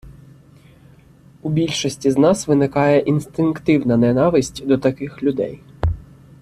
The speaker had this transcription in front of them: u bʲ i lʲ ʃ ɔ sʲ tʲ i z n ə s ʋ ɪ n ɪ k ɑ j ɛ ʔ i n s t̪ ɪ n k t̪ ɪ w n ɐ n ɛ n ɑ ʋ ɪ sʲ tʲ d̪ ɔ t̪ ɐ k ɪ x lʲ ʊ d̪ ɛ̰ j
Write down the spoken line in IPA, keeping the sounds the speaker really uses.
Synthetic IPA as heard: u bʲ i lʲ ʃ ɔ sʲ tʲ i z n ɑ s ʋ ɪ n ɪ k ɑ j ɛ ʔ i n s t̪ ɪ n k t̪ ɪ w n ɐ n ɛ n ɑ ʋ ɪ sʲ tʲ d̪ ɔ t̪ ɐ k ɪ x lʲ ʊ d̪ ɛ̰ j